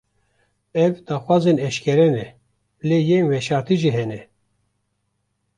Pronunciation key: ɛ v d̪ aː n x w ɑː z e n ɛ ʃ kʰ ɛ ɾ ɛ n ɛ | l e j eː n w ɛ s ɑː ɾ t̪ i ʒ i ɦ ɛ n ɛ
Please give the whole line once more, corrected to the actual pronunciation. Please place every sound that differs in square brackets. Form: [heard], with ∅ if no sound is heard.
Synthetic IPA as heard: ɛ v d̪ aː [∅] x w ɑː z e n ɛ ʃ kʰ ɛ ɾ ɛ n ɛ | l e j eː n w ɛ [ʃ] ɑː ɾ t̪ i ʒ i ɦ ɛ n ɛ